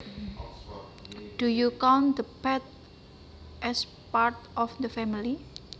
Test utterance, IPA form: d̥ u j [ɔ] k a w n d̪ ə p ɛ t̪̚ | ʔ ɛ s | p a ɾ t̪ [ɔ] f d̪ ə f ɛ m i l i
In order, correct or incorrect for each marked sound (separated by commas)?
incorrect, correct